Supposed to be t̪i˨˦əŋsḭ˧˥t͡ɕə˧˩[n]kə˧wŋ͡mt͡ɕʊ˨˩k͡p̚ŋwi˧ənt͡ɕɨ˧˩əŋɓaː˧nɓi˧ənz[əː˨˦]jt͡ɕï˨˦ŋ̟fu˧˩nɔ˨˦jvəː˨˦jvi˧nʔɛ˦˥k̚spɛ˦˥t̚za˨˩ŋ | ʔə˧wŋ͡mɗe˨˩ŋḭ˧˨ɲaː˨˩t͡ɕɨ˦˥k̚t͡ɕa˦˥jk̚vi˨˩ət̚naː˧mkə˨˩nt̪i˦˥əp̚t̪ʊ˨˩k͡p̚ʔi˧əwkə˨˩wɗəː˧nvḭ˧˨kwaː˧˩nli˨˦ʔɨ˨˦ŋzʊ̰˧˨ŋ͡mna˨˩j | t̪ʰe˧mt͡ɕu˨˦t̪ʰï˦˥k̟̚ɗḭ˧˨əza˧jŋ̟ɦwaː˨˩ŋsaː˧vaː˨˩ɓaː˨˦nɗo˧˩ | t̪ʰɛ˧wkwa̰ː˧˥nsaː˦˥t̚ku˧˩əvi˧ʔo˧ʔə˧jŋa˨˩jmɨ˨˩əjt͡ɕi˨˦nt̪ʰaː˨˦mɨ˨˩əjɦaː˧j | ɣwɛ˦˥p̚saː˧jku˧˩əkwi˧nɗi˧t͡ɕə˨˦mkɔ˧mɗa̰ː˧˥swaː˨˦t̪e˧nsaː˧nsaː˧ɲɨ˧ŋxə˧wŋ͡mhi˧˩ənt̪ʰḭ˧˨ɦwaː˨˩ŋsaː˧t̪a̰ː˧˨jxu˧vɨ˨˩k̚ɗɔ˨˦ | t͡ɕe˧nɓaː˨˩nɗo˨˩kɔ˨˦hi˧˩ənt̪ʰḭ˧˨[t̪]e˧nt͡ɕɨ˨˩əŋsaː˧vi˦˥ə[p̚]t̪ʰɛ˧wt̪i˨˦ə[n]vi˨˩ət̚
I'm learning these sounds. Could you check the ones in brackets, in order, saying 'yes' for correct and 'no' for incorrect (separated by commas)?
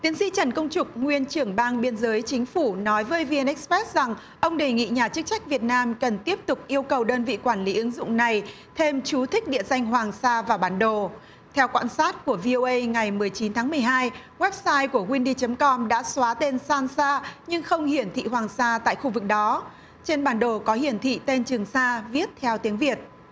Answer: yes, yes, yes, no, no